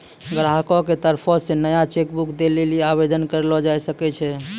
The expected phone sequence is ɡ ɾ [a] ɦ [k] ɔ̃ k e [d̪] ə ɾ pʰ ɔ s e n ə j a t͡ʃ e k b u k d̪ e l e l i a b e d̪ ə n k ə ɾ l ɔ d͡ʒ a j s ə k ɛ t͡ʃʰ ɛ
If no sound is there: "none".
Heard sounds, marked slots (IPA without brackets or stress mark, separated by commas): a, k, t̪